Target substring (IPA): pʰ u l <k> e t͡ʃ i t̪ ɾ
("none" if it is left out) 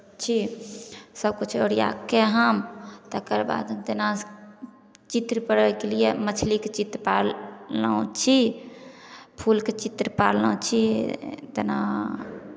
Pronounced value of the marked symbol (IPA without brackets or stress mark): k